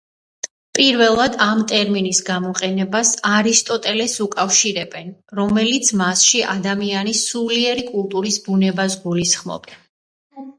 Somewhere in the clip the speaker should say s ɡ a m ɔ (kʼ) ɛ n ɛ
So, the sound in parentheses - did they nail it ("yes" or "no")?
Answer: no